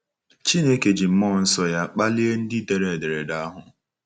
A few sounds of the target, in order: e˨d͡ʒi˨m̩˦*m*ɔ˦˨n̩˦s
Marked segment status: correct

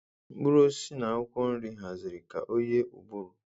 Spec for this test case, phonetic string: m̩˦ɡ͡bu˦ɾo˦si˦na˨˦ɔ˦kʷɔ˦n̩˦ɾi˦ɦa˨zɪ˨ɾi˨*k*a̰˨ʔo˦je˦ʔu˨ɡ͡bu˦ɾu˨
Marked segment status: correct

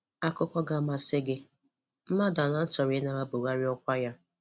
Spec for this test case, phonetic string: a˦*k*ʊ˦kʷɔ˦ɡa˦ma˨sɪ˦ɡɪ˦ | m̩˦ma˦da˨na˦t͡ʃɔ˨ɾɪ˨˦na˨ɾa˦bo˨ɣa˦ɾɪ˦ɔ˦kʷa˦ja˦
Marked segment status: correct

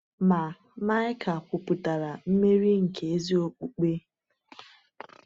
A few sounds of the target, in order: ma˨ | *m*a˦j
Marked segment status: correct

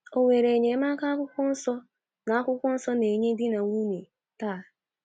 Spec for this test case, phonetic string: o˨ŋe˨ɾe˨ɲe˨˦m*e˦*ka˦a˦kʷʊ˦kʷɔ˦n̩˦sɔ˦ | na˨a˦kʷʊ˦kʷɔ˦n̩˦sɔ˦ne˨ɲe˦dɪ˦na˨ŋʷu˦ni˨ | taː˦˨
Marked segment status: incorrect: a˦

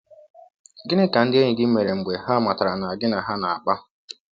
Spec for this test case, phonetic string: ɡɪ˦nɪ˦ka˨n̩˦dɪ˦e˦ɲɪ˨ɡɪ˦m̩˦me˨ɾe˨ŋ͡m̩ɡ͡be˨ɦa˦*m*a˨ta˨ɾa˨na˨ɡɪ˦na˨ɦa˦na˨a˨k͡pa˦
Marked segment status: correct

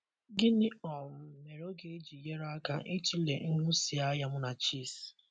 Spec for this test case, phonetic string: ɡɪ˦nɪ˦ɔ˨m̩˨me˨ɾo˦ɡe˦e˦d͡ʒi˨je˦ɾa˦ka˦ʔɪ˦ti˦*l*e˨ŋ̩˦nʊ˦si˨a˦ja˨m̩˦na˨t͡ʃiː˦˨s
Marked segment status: correct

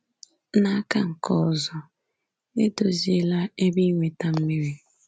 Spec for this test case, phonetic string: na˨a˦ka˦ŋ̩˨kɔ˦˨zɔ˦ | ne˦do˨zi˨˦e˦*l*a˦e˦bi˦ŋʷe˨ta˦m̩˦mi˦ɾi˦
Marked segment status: correct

